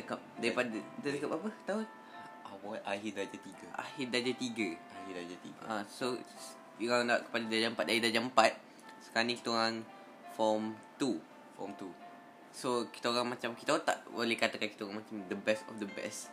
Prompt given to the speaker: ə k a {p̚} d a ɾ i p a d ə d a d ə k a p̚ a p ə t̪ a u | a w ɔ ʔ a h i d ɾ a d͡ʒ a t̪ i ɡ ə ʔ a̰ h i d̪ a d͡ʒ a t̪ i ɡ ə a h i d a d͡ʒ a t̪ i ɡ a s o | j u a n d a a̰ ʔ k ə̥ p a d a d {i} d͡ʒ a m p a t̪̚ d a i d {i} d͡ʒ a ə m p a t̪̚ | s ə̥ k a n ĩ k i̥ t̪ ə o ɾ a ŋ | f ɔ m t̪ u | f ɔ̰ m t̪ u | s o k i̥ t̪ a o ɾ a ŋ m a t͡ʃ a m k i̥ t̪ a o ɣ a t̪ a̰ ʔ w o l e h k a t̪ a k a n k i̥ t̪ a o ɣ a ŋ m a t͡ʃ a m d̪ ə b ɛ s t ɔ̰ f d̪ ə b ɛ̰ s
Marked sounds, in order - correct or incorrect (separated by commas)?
correct, incorrect, incorrect